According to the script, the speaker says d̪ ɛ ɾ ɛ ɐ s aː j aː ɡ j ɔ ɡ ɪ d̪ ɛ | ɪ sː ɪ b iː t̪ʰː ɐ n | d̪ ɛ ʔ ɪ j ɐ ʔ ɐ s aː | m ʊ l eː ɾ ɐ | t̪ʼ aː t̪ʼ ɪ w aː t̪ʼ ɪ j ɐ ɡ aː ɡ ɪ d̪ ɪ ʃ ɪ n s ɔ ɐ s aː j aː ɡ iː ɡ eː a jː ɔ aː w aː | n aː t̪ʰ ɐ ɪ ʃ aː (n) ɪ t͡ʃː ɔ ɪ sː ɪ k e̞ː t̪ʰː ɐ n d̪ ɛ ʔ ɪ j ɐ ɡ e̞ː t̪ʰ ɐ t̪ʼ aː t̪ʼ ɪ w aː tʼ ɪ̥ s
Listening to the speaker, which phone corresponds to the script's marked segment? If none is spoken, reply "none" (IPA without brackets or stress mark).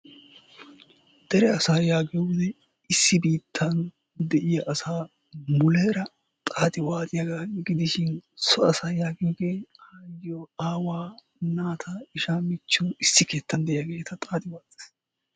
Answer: m